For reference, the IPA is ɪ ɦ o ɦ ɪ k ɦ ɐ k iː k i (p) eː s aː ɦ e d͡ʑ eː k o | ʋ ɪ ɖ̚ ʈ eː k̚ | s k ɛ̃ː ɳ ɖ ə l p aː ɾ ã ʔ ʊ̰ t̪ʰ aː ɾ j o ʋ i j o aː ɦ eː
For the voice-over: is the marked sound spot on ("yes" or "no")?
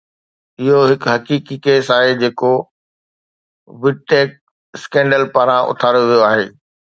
no